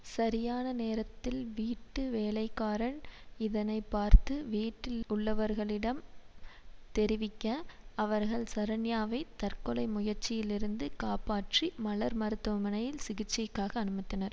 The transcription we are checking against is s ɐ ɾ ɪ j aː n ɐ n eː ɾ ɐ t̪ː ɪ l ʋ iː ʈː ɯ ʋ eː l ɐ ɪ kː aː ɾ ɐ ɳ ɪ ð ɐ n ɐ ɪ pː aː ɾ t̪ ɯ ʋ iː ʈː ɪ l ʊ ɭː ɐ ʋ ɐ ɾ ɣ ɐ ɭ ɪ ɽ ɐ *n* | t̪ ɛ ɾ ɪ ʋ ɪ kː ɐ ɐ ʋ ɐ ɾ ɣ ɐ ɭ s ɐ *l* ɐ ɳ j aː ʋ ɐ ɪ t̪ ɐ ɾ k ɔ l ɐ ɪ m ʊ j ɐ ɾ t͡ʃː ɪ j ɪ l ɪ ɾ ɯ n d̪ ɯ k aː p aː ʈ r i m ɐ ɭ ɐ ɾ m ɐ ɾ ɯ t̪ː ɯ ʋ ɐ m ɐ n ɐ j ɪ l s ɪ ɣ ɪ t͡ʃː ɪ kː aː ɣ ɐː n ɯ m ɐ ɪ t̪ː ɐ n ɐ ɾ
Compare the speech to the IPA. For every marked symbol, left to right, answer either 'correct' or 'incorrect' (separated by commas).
incorrect, incorrect